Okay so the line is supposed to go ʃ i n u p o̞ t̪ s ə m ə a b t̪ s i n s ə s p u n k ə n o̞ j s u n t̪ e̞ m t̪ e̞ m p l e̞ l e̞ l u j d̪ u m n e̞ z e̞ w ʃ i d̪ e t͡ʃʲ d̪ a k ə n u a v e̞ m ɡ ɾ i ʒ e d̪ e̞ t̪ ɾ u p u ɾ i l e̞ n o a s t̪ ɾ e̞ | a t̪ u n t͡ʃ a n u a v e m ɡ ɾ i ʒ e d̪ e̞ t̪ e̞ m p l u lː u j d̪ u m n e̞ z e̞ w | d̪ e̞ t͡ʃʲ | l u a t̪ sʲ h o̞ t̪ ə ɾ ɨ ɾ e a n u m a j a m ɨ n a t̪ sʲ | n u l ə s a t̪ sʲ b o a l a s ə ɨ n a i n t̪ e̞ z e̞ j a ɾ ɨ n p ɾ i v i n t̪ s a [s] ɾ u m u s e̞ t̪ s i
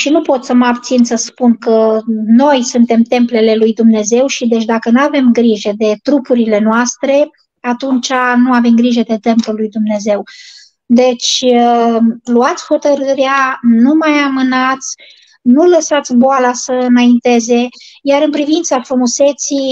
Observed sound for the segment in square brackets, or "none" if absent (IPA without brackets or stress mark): f